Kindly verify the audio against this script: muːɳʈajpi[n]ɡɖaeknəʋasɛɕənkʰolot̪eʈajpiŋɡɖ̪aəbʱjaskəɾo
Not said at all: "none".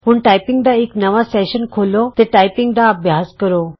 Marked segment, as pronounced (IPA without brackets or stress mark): ŋ